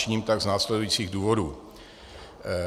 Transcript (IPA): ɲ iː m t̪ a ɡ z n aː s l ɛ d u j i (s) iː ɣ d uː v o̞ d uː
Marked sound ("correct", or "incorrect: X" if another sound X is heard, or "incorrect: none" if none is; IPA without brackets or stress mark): incorrect: t͡s